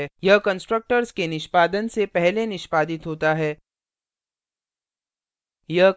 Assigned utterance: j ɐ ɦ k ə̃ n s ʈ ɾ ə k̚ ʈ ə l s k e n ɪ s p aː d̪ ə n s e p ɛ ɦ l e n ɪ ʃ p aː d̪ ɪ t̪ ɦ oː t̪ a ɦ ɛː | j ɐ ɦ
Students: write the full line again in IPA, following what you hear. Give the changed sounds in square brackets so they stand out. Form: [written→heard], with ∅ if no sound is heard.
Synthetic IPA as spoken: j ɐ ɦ k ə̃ n s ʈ ɾ ə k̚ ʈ ə [l→ɾ] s k e n ɪ [s→ʃ] p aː d̪ ə n s e p ɛ ɦ l e n ɪ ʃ p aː d̪ ɪ t̪ ɦ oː t̪ a ɦ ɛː | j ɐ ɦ